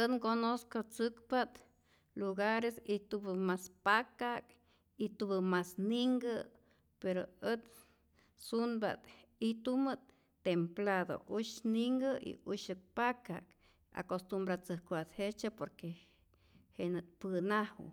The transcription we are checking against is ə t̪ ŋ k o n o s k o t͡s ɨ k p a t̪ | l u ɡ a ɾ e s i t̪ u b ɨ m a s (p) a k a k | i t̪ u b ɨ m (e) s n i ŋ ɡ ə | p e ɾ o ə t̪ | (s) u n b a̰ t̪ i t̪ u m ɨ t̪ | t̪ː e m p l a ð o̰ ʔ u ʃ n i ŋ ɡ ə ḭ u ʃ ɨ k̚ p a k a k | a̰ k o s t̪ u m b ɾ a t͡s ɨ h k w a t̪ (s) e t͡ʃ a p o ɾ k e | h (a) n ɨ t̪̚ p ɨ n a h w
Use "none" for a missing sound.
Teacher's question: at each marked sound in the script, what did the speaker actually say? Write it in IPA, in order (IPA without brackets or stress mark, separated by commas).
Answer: p, a, s, h, e